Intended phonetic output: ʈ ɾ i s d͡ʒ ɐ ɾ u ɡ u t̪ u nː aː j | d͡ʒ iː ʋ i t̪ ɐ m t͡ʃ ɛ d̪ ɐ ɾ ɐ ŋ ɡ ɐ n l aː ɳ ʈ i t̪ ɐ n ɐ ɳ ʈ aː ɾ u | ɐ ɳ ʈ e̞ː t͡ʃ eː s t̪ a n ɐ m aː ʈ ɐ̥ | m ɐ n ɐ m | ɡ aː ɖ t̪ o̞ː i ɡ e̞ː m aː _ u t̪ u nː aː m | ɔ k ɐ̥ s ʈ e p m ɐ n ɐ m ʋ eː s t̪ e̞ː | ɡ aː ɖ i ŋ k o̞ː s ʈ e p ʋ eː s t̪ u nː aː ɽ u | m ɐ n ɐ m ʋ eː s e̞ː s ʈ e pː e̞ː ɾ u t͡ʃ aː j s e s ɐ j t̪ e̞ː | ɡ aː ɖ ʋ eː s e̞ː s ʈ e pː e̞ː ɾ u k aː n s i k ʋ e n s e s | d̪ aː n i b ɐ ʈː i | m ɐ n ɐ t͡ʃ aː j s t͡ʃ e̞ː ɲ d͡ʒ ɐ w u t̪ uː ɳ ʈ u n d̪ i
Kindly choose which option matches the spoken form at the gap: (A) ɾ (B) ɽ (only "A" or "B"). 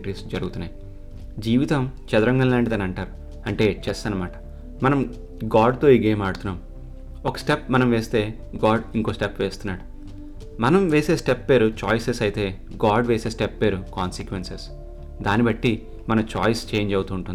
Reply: B